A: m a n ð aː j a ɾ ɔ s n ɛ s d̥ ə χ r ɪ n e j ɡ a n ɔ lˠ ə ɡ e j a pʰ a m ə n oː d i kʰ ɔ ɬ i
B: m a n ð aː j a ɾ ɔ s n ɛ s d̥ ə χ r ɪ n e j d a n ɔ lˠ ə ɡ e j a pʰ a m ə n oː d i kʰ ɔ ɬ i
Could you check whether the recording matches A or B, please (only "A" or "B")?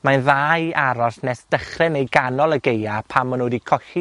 A